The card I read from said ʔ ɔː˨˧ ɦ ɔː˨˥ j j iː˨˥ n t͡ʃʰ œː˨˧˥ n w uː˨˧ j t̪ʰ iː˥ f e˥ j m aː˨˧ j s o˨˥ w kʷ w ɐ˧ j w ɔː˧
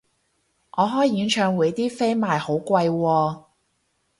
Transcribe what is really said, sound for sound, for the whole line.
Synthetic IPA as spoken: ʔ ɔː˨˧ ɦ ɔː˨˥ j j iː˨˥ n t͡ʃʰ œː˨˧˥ ŋ w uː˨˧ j t̪ iː˥ f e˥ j m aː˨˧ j h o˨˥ w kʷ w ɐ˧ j w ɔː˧